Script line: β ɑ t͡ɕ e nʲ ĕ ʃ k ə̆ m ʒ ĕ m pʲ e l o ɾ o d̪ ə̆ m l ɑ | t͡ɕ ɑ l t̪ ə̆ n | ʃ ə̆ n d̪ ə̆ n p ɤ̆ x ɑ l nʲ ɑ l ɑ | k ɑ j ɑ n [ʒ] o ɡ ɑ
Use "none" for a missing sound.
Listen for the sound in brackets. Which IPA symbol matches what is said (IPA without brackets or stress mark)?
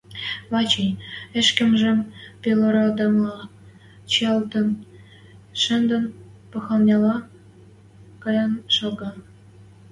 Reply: ʃ